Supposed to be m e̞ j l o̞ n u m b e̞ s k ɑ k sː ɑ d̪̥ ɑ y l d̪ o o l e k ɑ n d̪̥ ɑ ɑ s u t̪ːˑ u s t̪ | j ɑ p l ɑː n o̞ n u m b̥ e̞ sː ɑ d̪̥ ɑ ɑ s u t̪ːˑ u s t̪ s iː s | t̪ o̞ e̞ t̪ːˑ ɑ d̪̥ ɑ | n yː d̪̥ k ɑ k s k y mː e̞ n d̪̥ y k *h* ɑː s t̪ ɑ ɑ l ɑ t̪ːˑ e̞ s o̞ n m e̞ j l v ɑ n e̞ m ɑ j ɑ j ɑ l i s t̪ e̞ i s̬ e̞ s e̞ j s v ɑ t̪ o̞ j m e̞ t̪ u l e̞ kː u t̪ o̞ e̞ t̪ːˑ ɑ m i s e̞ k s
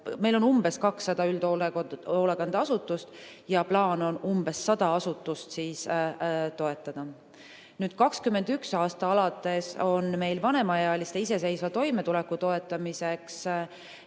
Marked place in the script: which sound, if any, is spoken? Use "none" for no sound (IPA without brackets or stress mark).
s